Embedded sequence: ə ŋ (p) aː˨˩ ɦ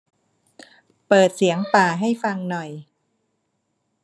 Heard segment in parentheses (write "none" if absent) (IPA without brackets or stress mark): p